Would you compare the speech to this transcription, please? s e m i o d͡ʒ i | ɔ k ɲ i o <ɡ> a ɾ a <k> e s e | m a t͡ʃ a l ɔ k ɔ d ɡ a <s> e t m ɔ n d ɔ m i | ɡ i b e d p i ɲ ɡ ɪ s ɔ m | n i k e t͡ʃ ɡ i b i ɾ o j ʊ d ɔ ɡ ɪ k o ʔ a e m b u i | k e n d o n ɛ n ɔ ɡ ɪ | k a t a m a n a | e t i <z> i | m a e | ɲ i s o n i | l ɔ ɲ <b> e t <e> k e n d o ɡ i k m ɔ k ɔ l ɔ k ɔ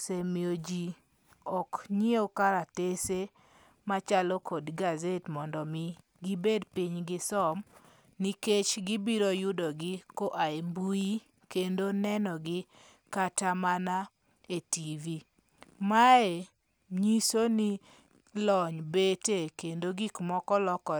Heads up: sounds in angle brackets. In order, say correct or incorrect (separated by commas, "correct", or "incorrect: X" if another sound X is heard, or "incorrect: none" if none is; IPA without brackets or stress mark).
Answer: incorrect: k, incorrect: t, incorrect: z, incorrect: v, correct, correct